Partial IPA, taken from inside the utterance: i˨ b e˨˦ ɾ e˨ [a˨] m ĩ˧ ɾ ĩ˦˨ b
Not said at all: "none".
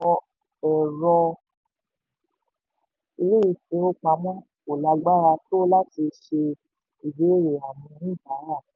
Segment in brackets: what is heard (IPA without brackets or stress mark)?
a˨